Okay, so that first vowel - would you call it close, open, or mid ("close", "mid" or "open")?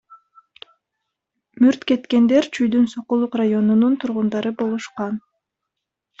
close